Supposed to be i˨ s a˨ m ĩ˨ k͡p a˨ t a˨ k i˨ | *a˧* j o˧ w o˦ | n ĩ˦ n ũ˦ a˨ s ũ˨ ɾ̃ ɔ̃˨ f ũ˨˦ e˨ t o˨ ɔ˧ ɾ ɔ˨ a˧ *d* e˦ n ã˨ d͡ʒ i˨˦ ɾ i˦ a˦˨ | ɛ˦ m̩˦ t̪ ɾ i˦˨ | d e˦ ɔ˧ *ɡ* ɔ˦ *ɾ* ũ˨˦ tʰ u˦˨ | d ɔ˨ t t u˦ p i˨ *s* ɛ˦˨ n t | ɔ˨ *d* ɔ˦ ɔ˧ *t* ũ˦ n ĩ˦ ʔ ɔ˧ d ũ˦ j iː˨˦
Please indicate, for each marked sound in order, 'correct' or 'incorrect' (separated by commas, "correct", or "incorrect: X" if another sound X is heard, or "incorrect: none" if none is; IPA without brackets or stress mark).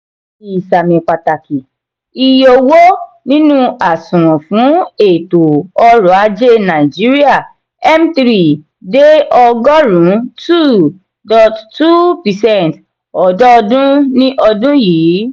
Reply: incorrect: i˧, incorrect: d͡ʒ, correct, correct, correct, correct, incorrect: d